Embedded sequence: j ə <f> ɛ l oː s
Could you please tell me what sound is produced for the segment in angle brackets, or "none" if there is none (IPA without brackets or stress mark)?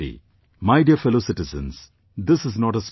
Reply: f